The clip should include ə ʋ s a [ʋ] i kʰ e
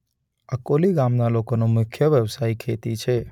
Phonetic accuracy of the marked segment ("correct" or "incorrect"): incorrect